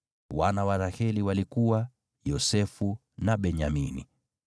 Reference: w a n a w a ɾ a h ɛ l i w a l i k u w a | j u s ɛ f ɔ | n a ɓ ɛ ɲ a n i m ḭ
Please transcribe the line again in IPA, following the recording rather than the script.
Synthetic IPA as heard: w a n a w a ɾ a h ɛ l i w a l i k u w a | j ɔ s ɛ f u | n a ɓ ɛ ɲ a m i n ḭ